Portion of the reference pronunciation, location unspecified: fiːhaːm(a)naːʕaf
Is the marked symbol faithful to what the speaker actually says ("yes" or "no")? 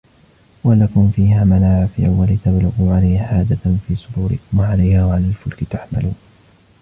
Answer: yes